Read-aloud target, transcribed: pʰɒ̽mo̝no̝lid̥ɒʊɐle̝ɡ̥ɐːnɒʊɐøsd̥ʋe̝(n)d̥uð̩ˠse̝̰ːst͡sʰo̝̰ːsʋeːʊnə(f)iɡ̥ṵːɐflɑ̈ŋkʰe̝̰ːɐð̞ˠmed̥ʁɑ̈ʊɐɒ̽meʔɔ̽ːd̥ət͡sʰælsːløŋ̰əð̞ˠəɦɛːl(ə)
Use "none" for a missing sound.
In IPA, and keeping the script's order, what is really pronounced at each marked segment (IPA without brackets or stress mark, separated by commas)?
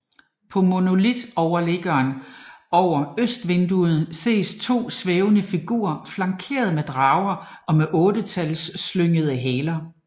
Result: n, f, ɐ